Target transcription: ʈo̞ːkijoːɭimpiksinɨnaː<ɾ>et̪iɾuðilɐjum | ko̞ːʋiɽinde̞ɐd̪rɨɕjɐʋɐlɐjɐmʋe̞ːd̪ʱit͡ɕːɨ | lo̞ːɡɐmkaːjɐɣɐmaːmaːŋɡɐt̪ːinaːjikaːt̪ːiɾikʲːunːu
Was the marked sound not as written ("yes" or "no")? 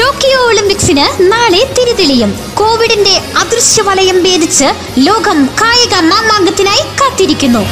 yes